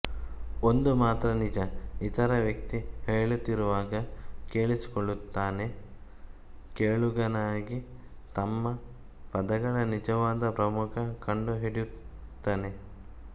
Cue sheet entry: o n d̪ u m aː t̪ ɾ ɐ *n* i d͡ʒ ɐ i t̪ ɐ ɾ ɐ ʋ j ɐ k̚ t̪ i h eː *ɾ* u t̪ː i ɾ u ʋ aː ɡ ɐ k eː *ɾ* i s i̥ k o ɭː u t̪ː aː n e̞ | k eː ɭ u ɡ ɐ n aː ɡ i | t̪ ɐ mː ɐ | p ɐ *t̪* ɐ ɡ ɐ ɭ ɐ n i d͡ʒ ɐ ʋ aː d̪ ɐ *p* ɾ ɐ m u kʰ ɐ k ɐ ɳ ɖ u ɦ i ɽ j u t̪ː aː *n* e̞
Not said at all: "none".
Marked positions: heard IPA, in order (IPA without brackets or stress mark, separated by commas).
n, ɭ, ɭ, d̪, p, n